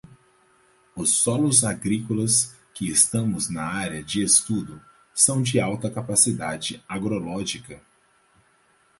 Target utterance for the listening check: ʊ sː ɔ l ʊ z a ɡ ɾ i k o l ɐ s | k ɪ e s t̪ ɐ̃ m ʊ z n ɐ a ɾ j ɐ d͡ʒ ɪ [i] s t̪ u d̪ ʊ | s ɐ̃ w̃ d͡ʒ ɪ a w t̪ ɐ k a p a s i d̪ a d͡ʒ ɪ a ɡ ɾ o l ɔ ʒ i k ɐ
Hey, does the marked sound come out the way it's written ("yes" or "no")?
no